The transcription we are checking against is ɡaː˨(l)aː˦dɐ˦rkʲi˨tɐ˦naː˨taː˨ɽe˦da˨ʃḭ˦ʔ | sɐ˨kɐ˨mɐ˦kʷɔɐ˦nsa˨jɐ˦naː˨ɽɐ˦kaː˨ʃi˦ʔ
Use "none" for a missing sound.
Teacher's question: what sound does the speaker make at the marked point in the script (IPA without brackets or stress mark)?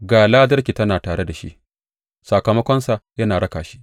l